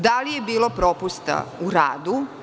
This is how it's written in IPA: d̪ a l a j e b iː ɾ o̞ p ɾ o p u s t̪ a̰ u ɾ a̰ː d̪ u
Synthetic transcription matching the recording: d̪ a l i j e b iː l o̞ p ɾ o p u s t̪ a̰ u ɾ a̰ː d̪ u